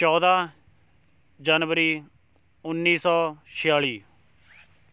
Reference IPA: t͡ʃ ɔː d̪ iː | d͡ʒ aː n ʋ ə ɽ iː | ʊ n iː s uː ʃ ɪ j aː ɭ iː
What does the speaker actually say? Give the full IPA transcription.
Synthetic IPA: t͡ʃ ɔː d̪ aː | d͡ʒ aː n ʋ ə ɾ iː | ʊ nː iː s ɔː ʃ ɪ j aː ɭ iː